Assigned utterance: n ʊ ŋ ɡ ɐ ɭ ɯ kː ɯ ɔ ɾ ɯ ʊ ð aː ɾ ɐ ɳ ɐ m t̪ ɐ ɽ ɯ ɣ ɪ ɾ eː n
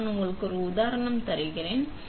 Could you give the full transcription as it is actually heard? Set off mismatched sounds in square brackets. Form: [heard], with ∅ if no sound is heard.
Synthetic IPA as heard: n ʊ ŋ ɡ ɐ ɭ ɯ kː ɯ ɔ ɾ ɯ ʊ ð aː ɾ ɐ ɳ ɐ m t̪ ɐ [ɾ] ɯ ɣ ɪ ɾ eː n